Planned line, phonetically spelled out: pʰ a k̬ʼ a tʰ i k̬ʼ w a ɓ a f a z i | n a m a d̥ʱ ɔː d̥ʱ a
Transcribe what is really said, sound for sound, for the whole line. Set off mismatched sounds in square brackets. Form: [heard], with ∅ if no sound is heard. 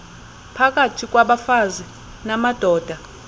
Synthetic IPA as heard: pʰ a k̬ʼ a tʰ i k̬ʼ w a ɓ a f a z i | n a m a d̥ʱ ɔː d̥ʱ a